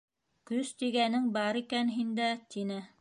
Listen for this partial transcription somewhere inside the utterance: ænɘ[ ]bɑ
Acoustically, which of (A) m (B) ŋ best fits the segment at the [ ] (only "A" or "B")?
B